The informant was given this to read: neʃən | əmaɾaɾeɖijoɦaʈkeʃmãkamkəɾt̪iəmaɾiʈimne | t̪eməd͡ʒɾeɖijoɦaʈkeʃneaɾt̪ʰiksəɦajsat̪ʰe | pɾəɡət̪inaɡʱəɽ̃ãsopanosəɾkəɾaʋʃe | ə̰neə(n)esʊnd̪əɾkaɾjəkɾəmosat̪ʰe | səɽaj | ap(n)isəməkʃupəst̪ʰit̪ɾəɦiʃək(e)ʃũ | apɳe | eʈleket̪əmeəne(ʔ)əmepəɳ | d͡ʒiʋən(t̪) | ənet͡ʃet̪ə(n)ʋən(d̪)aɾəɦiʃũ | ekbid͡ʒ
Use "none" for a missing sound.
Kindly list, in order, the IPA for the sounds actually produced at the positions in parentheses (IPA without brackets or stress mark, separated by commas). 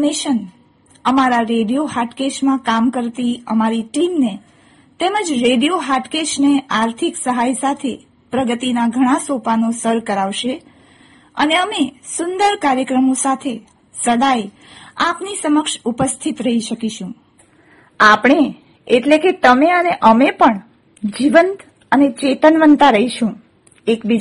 m, n, i, ʔ, t̪, n, t̪